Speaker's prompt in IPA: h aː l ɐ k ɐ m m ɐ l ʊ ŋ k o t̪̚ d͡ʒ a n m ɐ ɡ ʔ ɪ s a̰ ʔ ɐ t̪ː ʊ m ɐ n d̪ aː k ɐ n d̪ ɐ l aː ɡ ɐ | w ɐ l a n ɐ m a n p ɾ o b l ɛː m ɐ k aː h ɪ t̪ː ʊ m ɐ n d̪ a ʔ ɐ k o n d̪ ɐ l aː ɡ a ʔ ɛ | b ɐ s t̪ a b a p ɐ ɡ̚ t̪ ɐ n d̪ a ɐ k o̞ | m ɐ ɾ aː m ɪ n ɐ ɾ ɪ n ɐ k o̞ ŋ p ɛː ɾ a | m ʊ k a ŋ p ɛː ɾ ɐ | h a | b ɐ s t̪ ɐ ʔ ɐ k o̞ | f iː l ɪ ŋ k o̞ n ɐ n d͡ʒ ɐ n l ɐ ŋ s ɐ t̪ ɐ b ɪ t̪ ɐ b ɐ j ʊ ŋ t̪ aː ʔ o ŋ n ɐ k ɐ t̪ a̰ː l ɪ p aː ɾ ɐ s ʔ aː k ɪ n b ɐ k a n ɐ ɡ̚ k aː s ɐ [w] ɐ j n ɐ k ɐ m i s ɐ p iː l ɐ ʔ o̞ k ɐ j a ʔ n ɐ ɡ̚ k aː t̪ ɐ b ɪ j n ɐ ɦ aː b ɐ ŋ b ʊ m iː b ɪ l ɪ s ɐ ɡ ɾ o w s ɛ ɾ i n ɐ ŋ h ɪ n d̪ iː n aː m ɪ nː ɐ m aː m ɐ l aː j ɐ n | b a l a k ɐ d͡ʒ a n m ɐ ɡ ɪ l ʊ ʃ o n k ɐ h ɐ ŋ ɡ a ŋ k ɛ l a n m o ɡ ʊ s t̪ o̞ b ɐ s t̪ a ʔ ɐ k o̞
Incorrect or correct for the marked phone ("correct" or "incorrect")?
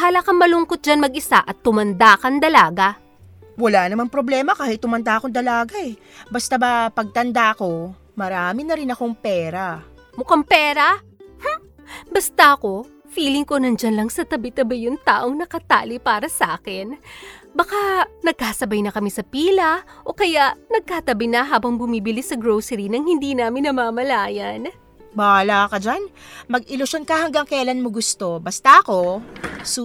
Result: incorrect